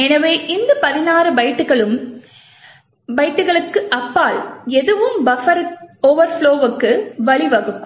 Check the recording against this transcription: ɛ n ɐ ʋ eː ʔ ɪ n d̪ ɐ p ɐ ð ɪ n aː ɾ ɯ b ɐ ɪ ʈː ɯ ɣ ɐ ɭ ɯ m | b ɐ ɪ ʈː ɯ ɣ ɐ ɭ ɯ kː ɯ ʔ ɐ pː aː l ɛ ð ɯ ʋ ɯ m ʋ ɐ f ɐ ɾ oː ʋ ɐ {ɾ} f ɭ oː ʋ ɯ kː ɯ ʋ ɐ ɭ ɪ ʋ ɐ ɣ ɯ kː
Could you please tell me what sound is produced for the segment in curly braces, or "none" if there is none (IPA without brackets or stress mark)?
ɾ